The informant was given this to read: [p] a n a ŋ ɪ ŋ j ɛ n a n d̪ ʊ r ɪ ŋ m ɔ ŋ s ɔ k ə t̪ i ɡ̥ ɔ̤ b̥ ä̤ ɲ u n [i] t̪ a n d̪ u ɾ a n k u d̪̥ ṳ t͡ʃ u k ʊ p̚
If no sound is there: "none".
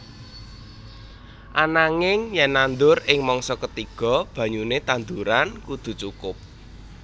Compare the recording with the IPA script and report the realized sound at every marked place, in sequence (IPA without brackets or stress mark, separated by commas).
ʔ, e